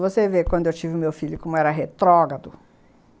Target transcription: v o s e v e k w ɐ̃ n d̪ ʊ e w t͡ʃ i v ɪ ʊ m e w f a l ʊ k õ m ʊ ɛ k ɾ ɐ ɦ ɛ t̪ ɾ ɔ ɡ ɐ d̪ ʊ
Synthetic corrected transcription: v o s e v e k w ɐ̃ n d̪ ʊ e w t͡ʃ i v ɪ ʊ m e w f i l ʊ k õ m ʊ ɛ ɾ ɐ ɦ e t̪ ɾ ɔ ɡ ɐ d̪ ʊ